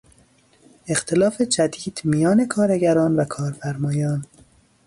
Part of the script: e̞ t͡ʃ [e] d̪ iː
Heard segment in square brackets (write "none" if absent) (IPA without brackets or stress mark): æ